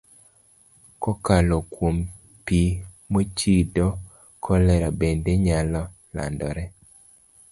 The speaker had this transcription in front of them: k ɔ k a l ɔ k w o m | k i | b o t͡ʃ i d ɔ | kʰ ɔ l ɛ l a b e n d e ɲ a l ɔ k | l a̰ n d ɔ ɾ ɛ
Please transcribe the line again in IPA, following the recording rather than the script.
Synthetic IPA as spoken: k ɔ k a l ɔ k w o m | p i | m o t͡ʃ i d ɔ | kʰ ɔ l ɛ ɾ a b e n d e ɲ a l ɔ | l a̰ n d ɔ ɾ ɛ